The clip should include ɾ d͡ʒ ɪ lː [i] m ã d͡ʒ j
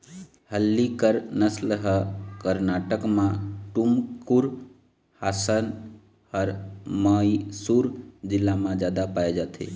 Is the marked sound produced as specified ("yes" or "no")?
no